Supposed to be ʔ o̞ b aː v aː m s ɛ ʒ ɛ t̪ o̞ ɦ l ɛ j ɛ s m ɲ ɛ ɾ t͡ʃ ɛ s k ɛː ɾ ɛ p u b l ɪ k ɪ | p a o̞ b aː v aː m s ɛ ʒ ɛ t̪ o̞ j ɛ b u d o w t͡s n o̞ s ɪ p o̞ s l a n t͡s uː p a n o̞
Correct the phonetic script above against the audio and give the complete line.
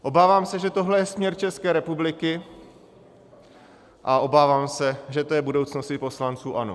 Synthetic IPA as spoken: ʔ o̞ b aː v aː m s ɛ ʒ ɛ t̪ o̞ ɦ l ɛ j ɛ s m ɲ ɛ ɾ t͡ʃ ɛ s k ɛː ɾ ɛ p u b l ɪ k ɪ | ʔ a o̞ b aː v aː m s ɛ ʒ ɛ t̪ o̞ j ɛ b u d o w t͡s n o̞ s ɪ p o̞ s l a n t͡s uː ʔ a n o̞